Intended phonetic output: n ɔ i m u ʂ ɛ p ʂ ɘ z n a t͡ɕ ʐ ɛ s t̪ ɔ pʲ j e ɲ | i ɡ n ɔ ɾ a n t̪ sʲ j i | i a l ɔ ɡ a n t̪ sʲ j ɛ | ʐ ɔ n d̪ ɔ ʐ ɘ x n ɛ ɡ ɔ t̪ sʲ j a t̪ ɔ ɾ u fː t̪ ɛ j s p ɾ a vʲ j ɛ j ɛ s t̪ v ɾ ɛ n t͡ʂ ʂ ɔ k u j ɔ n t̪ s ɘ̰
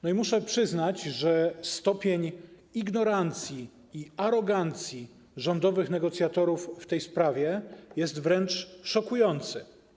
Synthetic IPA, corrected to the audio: n ɔ i m u ʂ ɛ p ʂ ɘ z n a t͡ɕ ʐ ɛ s t̪ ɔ pʲ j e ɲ | i ɡ n ɔ ɾ a n t̪ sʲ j i | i a ɾ ɔ ɡ a n t̪ sʲ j i | ʐ ɔ n d̪ ɔ v ɘ x n ɛ ɡ ɔ t̪ sʲ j a t̪ ɔ ɾ u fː t̪ ɛ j s p ɾ a vʲ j ɛ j ɛ s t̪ v ɾ ɛ n t͡ʂ ʂ ɔ k u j ɔ n t̪ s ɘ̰

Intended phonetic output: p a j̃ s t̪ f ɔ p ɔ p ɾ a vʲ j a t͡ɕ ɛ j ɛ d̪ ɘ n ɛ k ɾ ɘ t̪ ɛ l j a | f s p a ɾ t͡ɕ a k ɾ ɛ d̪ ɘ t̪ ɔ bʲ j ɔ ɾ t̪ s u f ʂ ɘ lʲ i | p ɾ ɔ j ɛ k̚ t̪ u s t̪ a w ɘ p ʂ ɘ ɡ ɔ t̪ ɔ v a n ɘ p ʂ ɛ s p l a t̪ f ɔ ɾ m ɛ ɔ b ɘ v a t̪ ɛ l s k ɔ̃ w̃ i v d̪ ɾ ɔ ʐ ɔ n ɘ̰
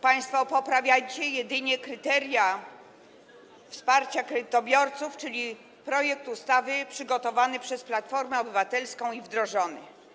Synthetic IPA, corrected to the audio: p a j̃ s t̪ f ɔ p ɔ p ɾ a vʲ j a t͡ɕ ɛ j ɛ d̪ ɘ ɲ ɛ k ɾ ɘ t̪ ɛ ɾ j a | f s p a ɾ t͡ɕ a k ɾ ɛ d̪ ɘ t̪ ɔ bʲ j ɔ ɾ t̪ s u f t͡ʂ ɘ lʲ i | p ɾ ɔ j ɛ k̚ t̪ u s t̪ a v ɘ p ʂ ɘ ɡ ɔ t̪ ɔ v a n ɘ p ʂ ɛ s p l a t̪ f ɔ ɾ m ɛ ɔ b ɘ v a t̪ ɛ l s k ɔ̃ w̃ i v d̪ ɾ ɔ ʐ ɔ n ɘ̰

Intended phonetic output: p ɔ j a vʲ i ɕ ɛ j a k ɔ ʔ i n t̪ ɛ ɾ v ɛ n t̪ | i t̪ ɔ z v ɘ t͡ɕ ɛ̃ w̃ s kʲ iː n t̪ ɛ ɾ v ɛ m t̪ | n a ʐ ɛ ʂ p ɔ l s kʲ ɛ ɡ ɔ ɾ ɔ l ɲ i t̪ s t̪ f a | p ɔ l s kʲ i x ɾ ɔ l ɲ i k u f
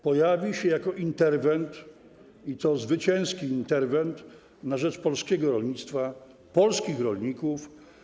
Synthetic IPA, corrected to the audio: p ɔ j a vʲ i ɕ ɛ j a k ɔ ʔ i n t̪ ɛ ɾ v ɛ n t̪ | i t̪ ɔ z v ɘ t͡ɕ ɛ̃ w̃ s kʲ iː n t̪ ɛ ɾ v ɛ n t̪ | n a ʐ ɛ t͡ʂ p ɔ l s kʲ ɛ ɡ ɔ ɾ ɔ l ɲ i t̪ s t̪ f a | p ɔ l s kʲ i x ɾ ɔ l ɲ i k u f

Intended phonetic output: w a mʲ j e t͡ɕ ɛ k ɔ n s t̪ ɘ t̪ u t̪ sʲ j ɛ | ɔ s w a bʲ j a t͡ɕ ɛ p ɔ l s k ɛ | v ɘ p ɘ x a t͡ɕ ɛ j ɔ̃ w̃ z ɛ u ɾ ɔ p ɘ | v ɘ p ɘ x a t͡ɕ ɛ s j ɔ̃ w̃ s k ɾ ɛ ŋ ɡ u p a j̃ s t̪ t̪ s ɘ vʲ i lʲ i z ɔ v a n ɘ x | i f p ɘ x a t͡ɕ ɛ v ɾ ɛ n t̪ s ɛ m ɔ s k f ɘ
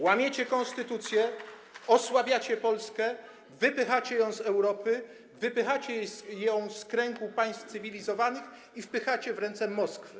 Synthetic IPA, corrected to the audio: w a mʲ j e t͡ɕ ɛ k ɔ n s t̪ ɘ t̪ u t̪ sʲ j ɛ | ɔ s w a bʲ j a t͡ɕ ɛ p ɔ l s k ɛ | v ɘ p ɘ x a t͡ɕ ɛ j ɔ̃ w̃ z ɛ w ɾ ɔ p ɘ | v ɘ p ɘ x a t͡ɕ ɛ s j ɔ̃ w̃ s k ɾ ɛ ŋ ɡ u p a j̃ s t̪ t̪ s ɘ vʲ i lʲ i z ɔ v a n ɘ x | i f p ɘ x a t͡ɕ ɛ v ɾ ɛ n t̪ s ɛ m ɔ s k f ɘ

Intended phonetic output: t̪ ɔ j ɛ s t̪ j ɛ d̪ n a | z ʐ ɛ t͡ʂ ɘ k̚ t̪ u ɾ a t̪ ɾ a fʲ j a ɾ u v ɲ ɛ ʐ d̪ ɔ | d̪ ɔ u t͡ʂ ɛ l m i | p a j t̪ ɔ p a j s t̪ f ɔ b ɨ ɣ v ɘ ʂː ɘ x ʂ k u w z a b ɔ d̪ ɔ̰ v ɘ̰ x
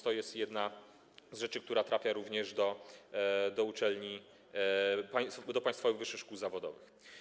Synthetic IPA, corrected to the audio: t̪ ɔ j ɛ s t̪ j ɛ d̪ n a | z ʐ ɛ t͡ʂ ɘ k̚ t̪ u ɾ a t̪ ɾ a fʲ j a ɾ u v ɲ ɛ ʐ d̪ ɔ | d̪ ɔ u t͡ʂ ɛ l ɲ i | p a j d̪ ɔ p a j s t̪ f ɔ v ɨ ɣ v ɘ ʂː ɘ x ʂ k u w z a v ɔ d̪ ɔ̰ v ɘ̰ x

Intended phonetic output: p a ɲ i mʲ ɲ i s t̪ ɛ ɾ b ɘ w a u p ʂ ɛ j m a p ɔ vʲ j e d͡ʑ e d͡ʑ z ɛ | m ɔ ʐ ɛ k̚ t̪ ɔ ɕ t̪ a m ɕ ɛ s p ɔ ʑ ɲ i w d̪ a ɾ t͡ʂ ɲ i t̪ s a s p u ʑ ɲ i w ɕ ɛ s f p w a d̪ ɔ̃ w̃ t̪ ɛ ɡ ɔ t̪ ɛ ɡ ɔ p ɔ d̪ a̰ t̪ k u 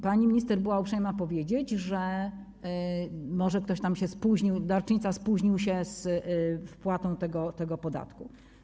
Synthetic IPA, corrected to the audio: p a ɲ i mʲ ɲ i s t̪ ɛ ɾ b ɘ w a u p ʂ ɛ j m a p ɔ vʲ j e d͡ʑ e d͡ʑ ʐ ɛ | m ɔ ʐ ɛ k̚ t̪ ɔ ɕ t̪ a m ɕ ɛ s p u ʑ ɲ i w d̪ a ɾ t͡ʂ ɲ i t̪ s a s p u ʑ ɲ i w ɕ ɛ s f p w a t̪ ɔ̃ w̃ t̪ ɛ ɡ ɔ t̪ ɛ ɡ ɔ p ɔ d̪ a̰ t̪ k u

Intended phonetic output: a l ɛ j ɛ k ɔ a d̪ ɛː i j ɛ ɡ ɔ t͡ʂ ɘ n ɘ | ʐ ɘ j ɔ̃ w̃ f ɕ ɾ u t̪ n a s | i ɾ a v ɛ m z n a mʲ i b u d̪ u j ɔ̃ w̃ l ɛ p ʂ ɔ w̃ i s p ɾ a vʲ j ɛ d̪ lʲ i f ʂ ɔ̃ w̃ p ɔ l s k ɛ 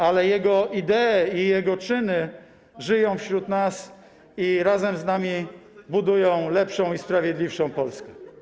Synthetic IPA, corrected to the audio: a l ɛ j ɛ ɡ ɔ i d̪ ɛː i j ɛ ɡ ɔ t͡ʂ ɘ n ɘ | ʐ ɘ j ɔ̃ w̃ f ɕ ɾ u t̪ n a s | i ɾ a z ɛ m z n a mʲ i b u d̪ u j ɔ̃ w̃ l ɛ p ʂ ɔ̃ w̃ i s p ɾ a vʲ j ɛ d̪ lʲ i f ʂ ɔ̃ w̃ p ɔ l s k ɛ

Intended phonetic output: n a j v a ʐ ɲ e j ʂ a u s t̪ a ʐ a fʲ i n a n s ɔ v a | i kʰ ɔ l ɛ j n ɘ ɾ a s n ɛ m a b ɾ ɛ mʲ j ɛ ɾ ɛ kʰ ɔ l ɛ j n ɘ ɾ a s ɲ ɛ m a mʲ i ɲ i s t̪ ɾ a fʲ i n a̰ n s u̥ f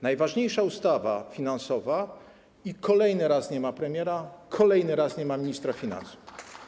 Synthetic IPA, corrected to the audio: n a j v a ʐ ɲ e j ʂ a u s t̪ a v a fʲ i n a n s ɔ v a | i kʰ ɔ l ɛ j n ɘ ɾ a s ɲ ɛ m a p ɾ ɛ mʲ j ɛ ɾ a kʰ ɔ l ɛ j n ɘ ɾ a s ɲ ɛ m a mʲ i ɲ i s t̪ ɾ a fʲ i n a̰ n s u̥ f

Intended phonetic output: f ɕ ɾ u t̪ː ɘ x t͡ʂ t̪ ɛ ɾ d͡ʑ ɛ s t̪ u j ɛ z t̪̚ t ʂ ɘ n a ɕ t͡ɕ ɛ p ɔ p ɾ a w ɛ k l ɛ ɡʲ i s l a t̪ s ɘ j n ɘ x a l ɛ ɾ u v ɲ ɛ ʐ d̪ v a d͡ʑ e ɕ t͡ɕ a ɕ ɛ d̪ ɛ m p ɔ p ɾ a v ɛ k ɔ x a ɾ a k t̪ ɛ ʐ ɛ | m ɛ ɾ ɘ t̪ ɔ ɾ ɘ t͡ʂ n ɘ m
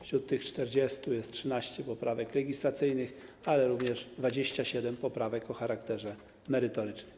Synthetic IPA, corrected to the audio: f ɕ ɾ u t̪ː ɘ x t͡ʂ t̪ ɛ ɾ d͡ʑ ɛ s t̪ u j ɛ s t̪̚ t ʂ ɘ n a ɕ t͡ɕ ɛ p ɔ p ɾ a v ɛ k l ɛ ɡʲ i s l a t̪ s ɘ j n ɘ x a l ɛ ɾ u v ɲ ɛ ʐ d̪ v a d͡ʑ e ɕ t͡ɕ a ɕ ɛ d̪ ɛ m p ɔ p ɾ a v ɛ k ɔ x a ɾ a k t̪ ɛ ʐ ɛ | m ɛ ɾ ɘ t̪ ɔ ɾ ɘ t͡ʂ n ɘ m

